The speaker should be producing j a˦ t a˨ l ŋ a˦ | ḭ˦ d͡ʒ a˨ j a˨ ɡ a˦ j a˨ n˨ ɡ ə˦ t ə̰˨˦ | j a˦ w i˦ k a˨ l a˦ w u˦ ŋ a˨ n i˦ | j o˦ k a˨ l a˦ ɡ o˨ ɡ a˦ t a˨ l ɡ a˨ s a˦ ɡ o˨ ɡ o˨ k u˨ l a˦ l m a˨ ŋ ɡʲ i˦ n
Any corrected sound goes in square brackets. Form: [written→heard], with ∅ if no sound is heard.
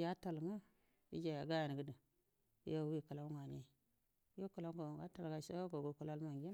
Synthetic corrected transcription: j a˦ t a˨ l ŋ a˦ | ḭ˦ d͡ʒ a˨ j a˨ ɡ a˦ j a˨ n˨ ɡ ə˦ [t→d] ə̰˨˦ | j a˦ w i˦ k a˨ l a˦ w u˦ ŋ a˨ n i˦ | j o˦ k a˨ l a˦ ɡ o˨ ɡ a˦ t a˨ l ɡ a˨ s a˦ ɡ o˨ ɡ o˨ k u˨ l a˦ l m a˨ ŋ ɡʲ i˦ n